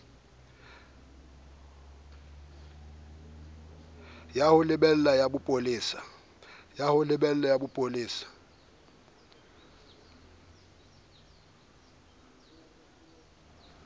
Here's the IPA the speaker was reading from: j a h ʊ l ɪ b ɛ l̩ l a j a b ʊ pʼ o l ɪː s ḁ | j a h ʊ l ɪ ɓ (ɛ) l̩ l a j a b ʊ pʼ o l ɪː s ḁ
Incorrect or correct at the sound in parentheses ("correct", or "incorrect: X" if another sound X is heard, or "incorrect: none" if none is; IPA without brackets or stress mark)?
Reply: correct